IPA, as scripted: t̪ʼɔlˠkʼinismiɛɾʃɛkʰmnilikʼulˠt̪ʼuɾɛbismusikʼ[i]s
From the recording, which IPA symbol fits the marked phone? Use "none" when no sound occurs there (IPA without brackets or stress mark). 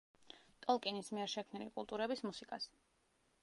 a